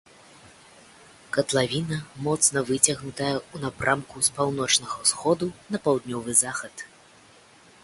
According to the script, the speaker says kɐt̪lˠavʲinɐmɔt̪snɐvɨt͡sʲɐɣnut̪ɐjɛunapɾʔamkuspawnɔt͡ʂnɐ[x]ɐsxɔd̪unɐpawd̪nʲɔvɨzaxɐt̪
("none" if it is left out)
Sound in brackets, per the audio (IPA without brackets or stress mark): ɣ